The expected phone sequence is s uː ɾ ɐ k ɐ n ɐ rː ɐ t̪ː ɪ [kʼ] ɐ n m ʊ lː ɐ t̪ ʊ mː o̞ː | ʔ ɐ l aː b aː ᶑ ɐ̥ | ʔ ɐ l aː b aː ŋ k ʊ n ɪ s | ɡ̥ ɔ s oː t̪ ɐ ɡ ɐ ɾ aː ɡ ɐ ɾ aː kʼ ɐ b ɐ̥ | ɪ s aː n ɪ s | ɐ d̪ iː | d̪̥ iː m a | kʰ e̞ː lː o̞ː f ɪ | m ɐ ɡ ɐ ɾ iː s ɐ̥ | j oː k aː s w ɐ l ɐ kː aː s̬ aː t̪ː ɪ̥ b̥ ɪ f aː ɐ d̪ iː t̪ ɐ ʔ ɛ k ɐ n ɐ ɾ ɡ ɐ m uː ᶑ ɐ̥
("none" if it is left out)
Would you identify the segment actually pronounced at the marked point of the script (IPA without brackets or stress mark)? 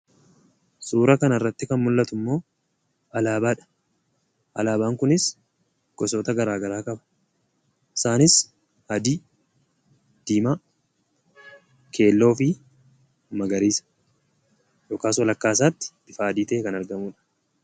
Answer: k